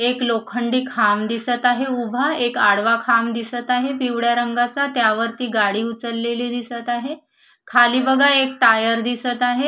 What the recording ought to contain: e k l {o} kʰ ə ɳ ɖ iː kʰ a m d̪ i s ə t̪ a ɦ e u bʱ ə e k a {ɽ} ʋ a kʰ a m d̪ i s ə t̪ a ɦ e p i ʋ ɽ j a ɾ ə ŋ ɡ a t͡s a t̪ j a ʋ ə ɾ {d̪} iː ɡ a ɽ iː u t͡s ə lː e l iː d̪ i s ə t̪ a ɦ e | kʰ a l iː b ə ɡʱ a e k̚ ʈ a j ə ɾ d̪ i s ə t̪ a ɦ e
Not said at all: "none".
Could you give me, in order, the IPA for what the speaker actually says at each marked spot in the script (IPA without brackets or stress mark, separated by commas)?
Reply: o, ɽ, t̪